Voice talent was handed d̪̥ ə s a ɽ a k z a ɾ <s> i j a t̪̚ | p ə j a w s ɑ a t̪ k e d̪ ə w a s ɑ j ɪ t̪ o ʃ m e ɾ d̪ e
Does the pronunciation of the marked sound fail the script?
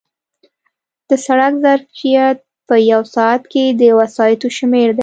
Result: yes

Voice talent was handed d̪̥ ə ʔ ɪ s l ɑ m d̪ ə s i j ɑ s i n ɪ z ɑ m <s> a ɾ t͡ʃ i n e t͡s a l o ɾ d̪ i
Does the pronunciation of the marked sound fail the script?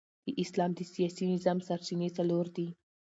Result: no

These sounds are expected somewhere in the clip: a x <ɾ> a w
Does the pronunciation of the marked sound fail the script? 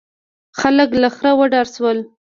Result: no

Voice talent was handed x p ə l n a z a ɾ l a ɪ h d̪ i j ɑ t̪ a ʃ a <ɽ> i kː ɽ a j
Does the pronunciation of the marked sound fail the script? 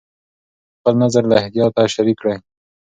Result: yes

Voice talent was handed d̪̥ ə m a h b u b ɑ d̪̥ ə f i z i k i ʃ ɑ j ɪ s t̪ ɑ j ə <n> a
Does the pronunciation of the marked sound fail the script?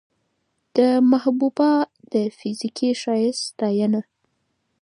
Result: no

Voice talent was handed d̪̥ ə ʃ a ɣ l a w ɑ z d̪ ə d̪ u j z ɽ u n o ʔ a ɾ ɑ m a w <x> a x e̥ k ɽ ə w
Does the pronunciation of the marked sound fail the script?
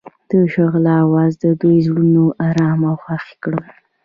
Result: no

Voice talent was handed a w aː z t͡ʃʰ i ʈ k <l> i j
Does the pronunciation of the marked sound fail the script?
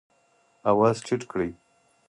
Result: yes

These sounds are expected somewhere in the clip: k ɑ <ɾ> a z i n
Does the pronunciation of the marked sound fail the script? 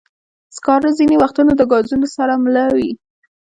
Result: no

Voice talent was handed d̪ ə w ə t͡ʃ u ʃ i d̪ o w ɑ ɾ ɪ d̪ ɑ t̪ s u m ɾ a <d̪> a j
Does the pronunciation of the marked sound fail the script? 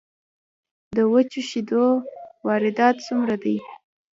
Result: no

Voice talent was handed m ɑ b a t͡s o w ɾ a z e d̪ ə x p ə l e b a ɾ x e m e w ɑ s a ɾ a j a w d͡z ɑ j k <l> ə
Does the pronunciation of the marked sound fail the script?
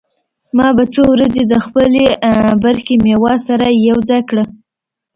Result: yes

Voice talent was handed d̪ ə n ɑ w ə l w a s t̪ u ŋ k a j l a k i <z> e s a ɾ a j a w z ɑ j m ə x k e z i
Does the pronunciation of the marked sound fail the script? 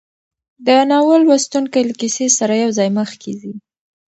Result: yes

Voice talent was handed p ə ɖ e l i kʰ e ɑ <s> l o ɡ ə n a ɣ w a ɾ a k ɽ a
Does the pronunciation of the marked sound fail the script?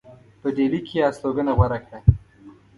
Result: no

